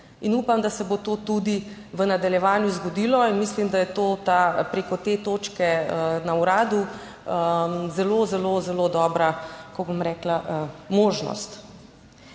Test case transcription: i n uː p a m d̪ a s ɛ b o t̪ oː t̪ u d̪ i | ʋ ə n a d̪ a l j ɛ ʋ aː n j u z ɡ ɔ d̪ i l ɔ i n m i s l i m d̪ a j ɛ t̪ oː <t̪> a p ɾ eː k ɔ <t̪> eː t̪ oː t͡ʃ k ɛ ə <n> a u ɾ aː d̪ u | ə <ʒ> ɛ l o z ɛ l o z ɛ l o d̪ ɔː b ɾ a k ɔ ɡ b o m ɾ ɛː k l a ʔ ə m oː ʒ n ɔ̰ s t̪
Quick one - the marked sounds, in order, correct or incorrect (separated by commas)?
correct, correct, correct, incorrect